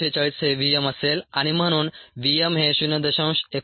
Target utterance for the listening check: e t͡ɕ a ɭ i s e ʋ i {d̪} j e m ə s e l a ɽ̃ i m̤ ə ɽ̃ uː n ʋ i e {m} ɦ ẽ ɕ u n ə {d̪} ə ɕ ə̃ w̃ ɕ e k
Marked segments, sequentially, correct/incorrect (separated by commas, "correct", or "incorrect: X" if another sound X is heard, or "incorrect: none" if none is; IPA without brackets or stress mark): incorrect: none, correct, correct